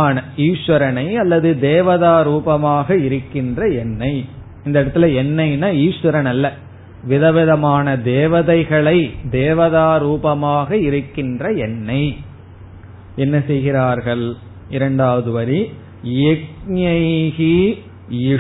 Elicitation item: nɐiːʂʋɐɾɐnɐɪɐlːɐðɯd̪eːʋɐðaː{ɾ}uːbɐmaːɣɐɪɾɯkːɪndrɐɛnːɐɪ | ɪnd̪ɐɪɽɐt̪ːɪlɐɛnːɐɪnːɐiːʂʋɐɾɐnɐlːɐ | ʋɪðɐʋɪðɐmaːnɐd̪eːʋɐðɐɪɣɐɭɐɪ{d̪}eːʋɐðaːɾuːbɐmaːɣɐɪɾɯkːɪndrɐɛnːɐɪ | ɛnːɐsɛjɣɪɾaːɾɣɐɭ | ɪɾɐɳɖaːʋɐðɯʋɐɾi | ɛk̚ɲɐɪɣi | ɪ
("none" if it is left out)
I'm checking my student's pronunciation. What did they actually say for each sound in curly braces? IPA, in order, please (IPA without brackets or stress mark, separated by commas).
ɾ, d̪